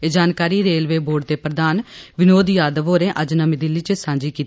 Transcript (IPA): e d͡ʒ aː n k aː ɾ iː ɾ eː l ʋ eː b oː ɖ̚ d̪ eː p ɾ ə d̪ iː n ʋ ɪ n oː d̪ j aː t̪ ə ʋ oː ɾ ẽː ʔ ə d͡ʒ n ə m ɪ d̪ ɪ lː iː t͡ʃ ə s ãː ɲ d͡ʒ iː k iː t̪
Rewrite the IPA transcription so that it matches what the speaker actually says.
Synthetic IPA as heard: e d͡ʒ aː n k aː ɾ iː ɾ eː l ʋ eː b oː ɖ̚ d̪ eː p ɾ ə d̪ aː n ʋ ɪ n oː d̪ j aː d̪ ə ʋ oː ɾ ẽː ʔ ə d͡ʒ n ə m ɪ d̪ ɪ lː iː t͡ʃ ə s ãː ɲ d͡ʒ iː k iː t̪